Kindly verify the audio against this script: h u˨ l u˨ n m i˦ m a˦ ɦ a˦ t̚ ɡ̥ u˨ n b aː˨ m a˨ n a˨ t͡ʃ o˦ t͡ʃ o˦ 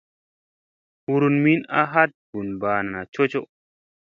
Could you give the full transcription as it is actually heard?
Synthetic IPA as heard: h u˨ ɾ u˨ n m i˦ n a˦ ɦ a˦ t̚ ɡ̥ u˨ n b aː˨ n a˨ n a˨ t͡ʃ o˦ t͡ʃ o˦